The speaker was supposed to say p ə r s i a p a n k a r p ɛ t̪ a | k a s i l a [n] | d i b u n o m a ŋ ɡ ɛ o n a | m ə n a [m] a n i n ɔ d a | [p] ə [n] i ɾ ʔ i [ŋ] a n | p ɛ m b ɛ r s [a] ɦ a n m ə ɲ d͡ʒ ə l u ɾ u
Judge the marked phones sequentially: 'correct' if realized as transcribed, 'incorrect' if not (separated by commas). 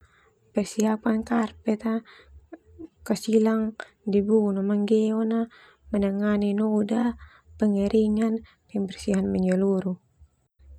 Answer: incorrect, incorrect, correct, incorrect, correct, incorrect